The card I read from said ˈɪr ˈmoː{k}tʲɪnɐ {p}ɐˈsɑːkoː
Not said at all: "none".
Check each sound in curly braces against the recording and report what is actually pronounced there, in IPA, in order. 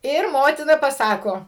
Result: none, p

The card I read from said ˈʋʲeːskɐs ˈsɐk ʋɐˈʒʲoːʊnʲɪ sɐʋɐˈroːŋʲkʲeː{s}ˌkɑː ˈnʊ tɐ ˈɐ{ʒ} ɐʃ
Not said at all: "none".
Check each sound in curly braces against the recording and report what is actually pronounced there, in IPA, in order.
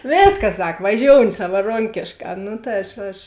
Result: ʃ, ʃ

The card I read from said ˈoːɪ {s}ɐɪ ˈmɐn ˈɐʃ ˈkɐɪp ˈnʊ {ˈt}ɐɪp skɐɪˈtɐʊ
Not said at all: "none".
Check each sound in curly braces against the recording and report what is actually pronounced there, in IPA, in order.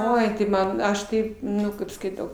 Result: t, k

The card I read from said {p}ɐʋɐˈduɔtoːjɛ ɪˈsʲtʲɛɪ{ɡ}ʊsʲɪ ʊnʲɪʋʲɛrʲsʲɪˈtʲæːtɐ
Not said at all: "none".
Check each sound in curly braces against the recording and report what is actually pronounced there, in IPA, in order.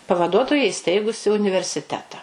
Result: p, ɡ

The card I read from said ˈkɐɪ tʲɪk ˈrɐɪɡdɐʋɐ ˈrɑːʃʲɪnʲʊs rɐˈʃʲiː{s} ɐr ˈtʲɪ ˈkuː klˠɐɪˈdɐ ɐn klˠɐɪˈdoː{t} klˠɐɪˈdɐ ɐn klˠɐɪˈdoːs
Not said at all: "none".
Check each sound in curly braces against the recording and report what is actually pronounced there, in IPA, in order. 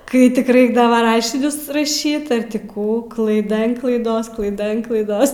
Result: t, s

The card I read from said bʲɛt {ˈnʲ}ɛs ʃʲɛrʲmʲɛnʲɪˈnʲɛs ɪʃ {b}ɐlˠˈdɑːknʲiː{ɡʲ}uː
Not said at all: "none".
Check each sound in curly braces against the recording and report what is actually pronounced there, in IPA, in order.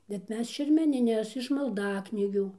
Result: mʲ, m, ɡʲ

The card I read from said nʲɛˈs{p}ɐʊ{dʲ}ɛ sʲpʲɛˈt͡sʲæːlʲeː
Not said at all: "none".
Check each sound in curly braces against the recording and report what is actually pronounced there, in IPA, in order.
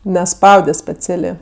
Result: p, dʲ

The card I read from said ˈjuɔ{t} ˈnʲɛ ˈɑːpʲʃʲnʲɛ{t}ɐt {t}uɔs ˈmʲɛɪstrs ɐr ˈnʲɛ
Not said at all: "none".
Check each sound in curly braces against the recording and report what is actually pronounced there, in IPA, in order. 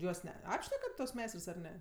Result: s, k, t

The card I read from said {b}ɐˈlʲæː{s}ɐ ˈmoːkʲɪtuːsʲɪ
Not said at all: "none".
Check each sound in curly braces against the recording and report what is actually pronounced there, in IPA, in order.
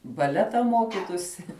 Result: b, t

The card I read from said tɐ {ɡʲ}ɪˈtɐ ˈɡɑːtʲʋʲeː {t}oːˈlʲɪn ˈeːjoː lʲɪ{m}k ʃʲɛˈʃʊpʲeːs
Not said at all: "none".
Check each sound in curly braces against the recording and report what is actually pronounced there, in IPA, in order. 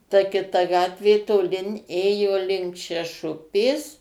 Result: kʲ, t, ŋ

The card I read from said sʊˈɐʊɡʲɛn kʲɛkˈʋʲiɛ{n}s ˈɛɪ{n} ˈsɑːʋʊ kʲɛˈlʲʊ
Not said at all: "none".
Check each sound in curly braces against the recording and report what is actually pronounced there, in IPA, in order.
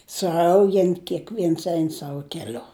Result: n, n

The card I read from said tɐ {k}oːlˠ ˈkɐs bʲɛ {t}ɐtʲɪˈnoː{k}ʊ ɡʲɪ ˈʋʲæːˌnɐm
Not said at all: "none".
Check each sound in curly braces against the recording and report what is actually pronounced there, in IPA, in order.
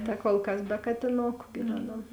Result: k, k, k

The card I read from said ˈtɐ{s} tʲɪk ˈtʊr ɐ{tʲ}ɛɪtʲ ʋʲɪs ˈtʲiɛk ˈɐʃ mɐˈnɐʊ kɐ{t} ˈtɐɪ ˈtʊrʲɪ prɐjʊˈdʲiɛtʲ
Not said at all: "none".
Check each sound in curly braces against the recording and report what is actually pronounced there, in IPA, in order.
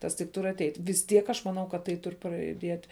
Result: s, tʲ, t

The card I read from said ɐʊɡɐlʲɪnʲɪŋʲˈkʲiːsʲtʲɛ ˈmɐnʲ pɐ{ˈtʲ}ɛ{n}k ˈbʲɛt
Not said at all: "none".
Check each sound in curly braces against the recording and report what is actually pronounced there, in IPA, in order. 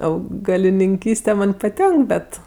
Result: tʲ, ŋ

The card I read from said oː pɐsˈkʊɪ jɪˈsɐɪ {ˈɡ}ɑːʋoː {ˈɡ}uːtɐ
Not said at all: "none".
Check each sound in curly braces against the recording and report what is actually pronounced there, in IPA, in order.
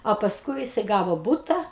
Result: ɡ, b

